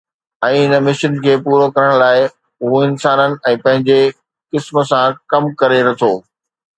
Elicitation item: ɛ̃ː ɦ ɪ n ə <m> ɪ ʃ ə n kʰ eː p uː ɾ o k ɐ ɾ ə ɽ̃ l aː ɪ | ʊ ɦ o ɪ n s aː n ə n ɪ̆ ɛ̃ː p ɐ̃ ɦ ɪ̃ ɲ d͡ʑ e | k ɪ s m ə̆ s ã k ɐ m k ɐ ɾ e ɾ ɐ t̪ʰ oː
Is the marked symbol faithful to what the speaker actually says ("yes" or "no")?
yes